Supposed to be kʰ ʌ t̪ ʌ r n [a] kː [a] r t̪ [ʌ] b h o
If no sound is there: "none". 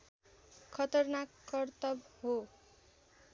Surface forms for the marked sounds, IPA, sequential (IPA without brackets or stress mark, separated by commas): a, ʌ, ʌ